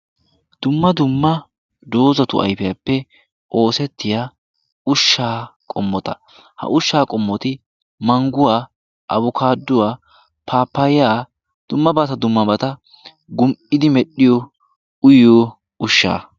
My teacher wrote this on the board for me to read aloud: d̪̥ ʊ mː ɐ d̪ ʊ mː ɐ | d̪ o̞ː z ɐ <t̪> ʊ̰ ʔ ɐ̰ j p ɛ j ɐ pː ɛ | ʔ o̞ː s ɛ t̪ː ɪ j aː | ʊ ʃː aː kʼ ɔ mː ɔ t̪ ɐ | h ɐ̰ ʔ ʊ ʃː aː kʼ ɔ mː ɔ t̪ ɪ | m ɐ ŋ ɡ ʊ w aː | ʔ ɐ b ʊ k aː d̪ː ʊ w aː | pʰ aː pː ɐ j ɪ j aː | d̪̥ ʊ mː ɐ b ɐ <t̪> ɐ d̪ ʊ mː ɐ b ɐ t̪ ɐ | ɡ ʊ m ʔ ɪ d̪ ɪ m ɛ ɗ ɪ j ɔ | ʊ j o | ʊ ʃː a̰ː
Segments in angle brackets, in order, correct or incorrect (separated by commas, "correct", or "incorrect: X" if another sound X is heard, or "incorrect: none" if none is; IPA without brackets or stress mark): correct, correct